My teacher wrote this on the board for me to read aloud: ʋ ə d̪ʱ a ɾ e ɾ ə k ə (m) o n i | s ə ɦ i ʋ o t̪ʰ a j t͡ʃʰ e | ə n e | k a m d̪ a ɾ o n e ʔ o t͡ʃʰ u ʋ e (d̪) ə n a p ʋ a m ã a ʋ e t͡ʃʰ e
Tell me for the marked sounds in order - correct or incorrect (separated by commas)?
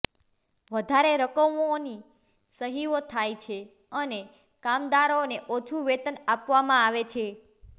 correct, incorrect